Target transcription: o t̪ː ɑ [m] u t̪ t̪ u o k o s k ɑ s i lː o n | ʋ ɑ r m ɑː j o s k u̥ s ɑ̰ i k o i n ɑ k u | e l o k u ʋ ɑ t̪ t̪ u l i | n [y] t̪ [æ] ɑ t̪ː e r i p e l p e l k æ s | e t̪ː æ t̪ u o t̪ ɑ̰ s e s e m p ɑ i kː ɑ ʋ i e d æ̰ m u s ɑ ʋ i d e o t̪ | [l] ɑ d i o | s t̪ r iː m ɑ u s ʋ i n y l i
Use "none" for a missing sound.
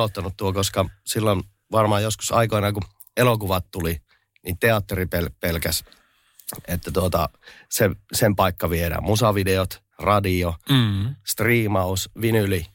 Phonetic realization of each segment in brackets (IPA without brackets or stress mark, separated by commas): n, i, e, r